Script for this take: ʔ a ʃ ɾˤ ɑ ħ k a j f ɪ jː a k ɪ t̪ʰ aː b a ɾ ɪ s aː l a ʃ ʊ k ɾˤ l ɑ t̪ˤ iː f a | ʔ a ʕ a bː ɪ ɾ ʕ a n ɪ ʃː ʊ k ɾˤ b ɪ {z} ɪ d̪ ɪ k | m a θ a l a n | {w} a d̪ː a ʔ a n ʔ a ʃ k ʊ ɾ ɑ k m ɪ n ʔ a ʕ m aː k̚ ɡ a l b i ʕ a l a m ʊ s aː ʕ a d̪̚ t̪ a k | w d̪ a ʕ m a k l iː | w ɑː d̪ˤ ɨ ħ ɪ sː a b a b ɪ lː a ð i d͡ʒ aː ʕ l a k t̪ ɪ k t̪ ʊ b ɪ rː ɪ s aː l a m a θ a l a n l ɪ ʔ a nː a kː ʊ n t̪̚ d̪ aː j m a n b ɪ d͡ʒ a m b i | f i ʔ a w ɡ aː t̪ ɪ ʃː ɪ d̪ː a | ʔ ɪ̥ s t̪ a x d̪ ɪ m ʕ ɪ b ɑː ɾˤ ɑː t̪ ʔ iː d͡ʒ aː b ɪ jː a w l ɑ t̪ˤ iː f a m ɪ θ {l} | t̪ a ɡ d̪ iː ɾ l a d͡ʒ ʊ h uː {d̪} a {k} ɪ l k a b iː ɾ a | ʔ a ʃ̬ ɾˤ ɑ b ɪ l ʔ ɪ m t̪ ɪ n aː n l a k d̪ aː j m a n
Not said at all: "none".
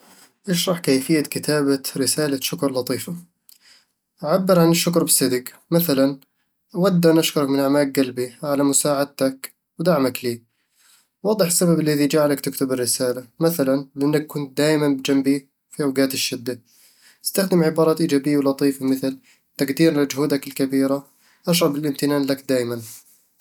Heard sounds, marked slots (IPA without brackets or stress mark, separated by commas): s, w, l, d̪, k